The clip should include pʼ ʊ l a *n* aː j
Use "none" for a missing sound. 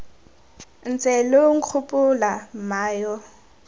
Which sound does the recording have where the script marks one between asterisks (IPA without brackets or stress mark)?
m